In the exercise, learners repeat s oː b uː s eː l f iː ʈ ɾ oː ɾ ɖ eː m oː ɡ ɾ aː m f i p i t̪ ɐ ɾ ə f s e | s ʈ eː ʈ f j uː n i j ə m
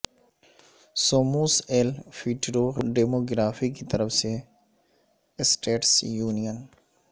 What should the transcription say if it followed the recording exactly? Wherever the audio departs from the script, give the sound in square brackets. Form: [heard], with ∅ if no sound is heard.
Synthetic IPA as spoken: s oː [m] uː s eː l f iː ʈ ɾ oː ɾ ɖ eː m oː ɡ ɾ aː [∅] f i [k] i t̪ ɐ ɾ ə f s e | s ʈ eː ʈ [s] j uː n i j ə [n]